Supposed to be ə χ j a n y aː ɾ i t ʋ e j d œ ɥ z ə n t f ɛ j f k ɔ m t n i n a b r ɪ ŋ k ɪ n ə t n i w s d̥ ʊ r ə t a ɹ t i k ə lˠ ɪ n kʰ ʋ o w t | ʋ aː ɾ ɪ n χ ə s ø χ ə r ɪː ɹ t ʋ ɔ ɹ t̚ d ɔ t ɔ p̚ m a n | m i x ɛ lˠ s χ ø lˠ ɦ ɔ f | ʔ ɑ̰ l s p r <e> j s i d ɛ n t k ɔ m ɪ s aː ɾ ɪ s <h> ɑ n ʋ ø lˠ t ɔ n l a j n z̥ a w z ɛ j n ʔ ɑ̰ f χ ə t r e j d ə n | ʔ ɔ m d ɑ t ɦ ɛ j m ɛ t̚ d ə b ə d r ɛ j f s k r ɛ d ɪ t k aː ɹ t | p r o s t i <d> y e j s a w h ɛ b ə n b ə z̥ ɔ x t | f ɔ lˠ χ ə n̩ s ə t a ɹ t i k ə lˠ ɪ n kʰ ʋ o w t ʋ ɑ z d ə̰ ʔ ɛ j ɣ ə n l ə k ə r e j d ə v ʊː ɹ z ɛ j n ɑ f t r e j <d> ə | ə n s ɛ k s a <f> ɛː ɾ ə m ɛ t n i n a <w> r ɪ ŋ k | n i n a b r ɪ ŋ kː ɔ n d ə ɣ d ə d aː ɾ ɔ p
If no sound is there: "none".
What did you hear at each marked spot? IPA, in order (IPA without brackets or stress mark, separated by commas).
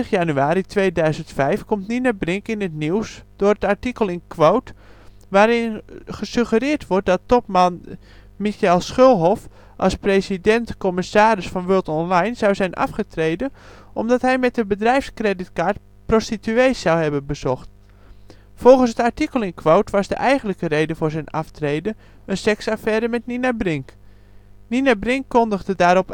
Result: e, f, t, d, f, b